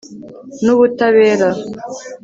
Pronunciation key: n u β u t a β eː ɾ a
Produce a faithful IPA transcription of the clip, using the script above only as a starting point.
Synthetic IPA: n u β u t a β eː ɾ a